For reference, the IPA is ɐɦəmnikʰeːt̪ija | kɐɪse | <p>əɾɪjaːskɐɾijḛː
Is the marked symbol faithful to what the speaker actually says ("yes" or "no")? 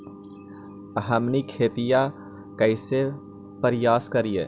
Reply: yes